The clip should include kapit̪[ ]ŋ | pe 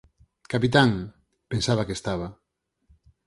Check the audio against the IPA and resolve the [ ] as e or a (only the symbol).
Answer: a